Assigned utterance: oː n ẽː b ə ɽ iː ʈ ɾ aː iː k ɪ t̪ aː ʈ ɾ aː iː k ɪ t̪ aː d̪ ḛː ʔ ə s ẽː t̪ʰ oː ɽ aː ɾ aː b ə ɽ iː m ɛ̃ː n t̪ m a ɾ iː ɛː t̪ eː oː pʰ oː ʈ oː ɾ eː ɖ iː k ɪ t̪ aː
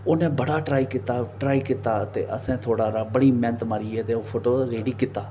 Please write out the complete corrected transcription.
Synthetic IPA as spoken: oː n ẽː b ə ɽ aː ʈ ɾ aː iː k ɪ t̪ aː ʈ ɾ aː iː k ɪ t̪ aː t̪ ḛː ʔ ə s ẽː t̪ʰ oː ɽ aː ɾ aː b ə ɽ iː m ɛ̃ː n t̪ m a ɾ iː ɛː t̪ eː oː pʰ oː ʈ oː ɾ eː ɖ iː k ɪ t̪ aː

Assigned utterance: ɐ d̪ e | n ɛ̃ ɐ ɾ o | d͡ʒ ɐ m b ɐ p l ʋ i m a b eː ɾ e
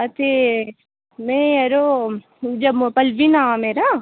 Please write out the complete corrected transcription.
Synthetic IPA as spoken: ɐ t̪ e | m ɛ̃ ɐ ɾ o | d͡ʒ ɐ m p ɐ l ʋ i n a m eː ɾ a

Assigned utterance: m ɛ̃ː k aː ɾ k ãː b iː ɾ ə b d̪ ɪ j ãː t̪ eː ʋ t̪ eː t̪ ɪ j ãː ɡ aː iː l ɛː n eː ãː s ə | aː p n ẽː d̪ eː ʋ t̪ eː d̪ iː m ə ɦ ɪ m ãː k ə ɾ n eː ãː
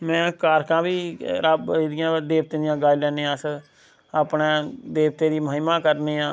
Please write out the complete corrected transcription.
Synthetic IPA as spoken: m ɛ̃ː k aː ɾ k ãː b iː ɾ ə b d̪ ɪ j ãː d̪ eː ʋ t̪ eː d̪ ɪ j ãː ɡ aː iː l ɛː n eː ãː s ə | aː p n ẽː d̪ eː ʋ t̪ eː d̪ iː m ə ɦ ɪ m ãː k ə ɾ n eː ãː

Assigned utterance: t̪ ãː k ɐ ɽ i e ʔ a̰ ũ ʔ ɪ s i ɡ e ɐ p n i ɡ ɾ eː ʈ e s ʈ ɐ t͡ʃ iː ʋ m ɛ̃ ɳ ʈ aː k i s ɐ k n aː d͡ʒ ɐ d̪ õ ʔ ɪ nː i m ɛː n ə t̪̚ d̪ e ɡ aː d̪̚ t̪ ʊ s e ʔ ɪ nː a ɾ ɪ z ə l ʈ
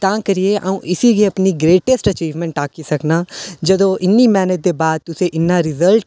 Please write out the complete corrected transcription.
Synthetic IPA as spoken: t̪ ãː k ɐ ɾ i e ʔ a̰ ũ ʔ ɪ s i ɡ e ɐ p n i ɡ ɾ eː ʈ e s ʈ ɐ t͡ʃ iː ʋ m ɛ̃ ɳ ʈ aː k i s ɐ k n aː d͡ʒ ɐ d̪ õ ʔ ɪ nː i m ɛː n ə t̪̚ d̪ e b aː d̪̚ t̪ ʊ s e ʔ ɪ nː a ɾ ɪ z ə l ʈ

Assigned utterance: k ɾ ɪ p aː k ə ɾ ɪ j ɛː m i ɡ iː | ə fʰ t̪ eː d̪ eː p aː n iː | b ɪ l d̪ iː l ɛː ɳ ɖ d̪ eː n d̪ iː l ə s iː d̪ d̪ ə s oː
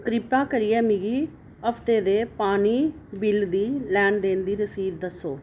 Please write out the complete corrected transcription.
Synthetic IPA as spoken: k ɾ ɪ p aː k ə ɾ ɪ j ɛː m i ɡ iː | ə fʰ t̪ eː d̪ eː p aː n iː | b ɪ l d̪ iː l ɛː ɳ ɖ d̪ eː n d̪ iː ɾ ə s iː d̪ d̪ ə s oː

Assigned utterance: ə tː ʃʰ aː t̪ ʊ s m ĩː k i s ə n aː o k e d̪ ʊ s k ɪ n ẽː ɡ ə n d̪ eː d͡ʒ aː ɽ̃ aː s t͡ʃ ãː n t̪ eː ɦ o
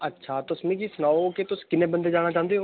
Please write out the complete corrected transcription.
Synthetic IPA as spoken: ə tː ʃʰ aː t̪ ʊ s m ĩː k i s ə n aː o k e t̪ ʊ s k ɪ n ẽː b ə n d̪ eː d͡ʒ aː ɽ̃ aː t͡ʃ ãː n d̪ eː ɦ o

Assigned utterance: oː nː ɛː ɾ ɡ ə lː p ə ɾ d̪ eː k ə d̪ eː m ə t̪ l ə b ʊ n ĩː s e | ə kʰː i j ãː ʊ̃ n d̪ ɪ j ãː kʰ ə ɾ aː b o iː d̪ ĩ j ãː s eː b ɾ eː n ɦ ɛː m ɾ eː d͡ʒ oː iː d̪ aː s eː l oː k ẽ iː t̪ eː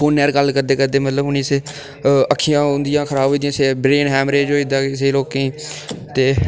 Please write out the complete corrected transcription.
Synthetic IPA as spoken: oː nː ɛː ɾ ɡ ə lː k ə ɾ d̪ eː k ə d̪ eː m ə t̪ l ə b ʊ n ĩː s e | ə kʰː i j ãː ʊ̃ n d̪ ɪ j ãː kʰ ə ɾ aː b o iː d̪ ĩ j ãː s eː b ɾ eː n ɦ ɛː m ɾ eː d͡ʒ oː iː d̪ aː s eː l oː k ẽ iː t̪ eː

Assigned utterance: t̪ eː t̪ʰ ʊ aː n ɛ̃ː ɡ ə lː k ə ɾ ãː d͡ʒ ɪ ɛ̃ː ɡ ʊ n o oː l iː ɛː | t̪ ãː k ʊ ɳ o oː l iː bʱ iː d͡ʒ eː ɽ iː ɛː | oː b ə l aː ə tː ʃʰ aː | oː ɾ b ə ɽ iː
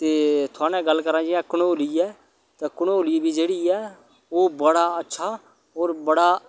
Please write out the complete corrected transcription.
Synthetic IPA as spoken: t̪ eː t̪ʰ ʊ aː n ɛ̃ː ɡ ə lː k ə ɾ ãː d͡ʒ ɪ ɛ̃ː k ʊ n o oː l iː ɛː | t̪ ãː k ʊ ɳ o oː l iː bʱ iː d͡ʒ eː ɽ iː ɛː | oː b ə ɽ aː ə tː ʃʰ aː | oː ɾ b ə ɽ aː

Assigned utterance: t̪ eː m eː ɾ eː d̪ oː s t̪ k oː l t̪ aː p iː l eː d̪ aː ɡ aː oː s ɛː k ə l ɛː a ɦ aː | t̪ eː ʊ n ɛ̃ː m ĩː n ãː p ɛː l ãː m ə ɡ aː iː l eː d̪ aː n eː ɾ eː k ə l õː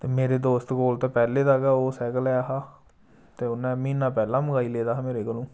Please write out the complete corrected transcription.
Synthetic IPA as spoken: t̪ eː m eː ɾ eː d̪ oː s t̪ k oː l t̪ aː p ɛː l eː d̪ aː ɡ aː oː s ɛː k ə l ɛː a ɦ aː | t̪ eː ʊ n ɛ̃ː m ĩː n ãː p ɛː l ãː m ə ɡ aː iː l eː d̪ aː m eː ɾ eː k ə l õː

